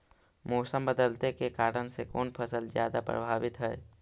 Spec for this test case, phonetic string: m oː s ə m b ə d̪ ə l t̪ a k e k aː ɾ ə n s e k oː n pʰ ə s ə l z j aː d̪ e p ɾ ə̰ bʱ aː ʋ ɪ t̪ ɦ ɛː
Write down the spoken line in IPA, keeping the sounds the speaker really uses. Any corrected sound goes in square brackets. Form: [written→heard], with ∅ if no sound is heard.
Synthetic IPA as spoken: m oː s ə m b ə d̪ ə l t̪ [a→e] k e k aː ɾ ə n s e k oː n pʰ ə s ə l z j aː d̪ [e→a] p ɾ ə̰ bʱ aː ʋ ɪ t̪ ɦ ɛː